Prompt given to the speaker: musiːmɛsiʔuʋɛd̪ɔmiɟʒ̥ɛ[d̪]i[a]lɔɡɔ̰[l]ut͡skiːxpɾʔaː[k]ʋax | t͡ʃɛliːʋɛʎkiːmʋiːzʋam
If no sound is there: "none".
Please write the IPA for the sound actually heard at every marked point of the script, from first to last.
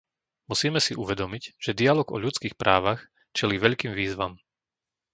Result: d̪, a, ʎ, none

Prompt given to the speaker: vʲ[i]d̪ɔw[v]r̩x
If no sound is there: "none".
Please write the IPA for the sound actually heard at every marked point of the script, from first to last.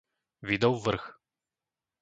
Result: i, v

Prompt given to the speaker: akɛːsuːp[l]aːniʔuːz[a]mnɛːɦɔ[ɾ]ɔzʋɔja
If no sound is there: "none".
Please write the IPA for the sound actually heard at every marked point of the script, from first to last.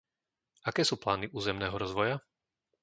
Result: l, ɛ, ɾ

